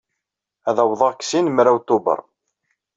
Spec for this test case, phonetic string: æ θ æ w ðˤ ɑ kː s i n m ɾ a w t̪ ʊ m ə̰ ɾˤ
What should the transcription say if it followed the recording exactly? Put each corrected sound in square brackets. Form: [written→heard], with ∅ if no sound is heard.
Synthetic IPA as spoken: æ [θ→ð] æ w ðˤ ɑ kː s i n m ɾ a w t̪ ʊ [m→b] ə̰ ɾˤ